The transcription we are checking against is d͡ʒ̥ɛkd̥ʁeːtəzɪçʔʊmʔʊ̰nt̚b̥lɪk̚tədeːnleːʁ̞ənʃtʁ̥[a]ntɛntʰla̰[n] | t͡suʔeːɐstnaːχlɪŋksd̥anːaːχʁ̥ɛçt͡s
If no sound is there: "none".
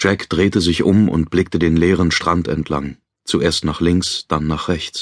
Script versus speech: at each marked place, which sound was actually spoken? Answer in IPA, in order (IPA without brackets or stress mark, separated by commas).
a, ŋ